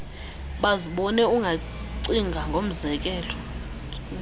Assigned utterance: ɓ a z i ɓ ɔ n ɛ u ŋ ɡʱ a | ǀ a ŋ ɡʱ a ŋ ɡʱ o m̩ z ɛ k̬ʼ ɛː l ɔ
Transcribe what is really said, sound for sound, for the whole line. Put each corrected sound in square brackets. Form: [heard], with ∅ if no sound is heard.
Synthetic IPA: ɓ a z i ɓ ɔ n ɛ u ŋ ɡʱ a | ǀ [i] ŋ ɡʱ a ŋ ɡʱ o m̩ z ɛ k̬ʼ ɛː l ɔ

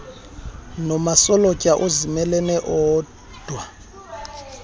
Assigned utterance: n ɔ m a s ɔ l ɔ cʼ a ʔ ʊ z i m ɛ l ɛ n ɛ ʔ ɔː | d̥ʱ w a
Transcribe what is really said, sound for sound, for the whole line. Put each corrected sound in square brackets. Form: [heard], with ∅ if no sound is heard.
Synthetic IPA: n ɔ m a s ɔ l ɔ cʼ a ʔ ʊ z i m ɛ l ɛ n ɛ ʔ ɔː | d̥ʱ w a

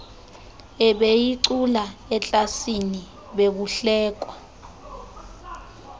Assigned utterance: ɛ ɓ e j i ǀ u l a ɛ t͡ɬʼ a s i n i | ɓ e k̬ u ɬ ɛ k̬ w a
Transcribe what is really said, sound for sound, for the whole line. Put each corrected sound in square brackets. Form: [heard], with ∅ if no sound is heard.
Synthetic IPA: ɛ ɓ e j i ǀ u l a ɛ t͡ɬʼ a s i n i | ɓ e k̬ u ɬ [ɛː] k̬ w a

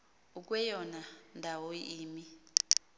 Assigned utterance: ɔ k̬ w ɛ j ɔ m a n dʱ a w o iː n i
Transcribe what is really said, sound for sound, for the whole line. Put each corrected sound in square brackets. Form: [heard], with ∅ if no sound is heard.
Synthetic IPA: [u] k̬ w ɛ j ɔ [n] a n dʱ a w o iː [m] i

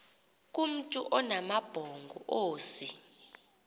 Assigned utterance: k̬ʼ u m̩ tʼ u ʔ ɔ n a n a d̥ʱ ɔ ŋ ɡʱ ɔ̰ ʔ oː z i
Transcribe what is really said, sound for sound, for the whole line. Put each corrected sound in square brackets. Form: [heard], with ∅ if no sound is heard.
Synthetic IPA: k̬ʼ u m̩ tʼ u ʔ ɔ n a [m] a [b̥ʱ] ɔ ŋ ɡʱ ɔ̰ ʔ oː [s] i

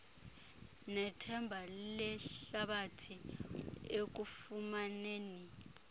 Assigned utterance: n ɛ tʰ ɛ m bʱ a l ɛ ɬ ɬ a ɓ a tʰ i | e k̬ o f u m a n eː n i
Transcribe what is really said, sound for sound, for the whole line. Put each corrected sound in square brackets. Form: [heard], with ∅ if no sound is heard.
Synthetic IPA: n ɛ tʰ ɛ m bʱ a l ɛ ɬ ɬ a ɓ a tʰ i | e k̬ [u] f u m a n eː n i

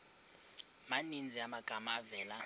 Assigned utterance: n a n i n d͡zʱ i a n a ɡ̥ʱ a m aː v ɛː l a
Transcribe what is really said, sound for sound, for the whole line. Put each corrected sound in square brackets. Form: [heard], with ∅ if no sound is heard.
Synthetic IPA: [m] a n i n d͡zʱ i a [m] a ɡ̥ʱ a m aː v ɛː l a

